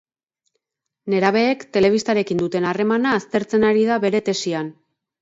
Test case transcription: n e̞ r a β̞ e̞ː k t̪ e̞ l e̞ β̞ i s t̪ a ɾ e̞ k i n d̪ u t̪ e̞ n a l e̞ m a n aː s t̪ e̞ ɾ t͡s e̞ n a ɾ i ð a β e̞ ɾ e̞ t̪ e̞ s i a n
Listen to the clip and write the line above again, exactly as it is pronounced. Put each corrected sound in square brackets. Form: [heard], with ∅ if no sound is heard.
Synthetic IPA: n e̞ [ɾ] a β̞ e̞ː k t̪ e̞ l e̞ β̞ i s t̪ a ɾ e̞ k i n d̪ u t̪ e̞ n a [r] e̞ m a n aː s t̪ e̞ ɾ t͡s e̞ n a ɾ i ð a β e̞ ɾ e̞ t̪ e̞ s i a n